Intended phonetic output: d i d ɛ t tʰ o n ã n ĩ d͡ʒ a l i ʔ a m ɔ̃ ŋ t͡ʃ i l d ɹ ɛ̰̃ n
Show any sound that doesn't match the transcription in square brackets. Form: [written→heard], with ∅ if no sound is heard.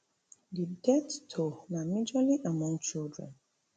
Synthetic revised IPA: d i d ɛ t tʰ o n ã [n→m] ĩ d͡ʒ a l i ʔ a m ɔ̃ ŋ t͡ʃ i l d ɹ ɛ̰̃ n